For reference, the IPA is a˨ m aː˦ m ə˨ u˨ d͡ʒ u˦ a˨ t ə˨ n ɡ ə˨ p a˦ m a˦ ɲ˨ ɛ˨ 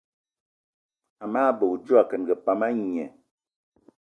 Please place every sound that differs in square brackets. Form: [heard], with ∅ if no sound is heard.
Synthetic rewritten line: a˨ m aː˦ [b] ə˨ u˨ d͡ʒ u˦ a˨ [k] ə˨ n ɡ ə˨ p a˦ m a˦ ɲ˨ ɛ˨